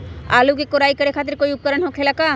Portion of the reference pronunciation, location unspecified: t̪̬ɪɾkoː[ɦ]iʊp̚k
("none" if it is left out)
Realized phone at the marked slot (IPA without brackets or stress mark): none